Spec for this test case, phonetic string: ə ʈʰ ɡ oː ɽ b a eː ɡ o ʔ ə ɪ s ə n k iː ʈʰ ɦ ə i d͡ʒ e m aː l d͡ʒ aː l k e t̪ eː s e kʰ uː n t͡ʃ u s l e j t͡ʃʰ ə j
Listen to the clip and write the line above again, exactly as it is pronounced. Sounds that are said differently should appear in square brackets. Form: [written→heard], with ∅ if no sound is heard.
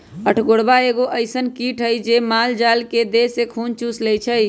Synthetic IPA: ə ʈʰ ɡ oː ɽ b a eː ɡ o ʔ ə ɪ s ə n k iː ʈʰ ɦ ə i d͡ʒ e m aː l d͡ʒ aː l k e [t̪→d̪] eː s e kʰ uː n t͡ʃ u s l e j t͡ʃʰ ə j